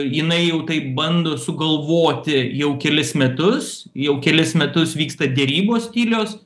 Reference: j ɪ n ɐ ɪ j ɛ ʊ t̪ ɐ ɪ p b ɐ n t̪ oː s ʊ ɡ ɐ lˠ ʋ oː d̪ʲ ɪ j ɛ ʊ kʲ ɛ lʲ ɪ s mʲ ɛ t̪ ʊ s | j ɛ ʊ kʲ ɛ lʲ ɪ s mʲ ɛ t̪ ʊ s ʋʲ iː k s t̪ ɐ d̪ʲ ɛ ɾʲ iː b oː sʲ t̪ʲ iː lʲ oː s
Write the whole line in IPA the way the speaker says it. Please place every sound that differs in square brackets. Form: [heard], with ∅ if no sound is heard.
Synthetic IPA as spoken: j ɪ n ɐ ɪ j ɛ ʊ t̪ ɐ ɪ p b ɐ n [d̪] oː s ʊ ɡ ɐ lˠ ʋ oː [t̪ʲ] ɪ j ɛ ʊ kʲ ɛ lʲ ɪ s mʲ ɛ t̪ ʊ s | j ɛ ʊ kʲ ɛ lʲ ɪ s mʲ ɛ t̪ ʊ s ʋʲ iː k s t̪ ɐ d̪ʲ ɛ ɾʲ iː b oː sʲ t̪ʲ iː lʲ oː s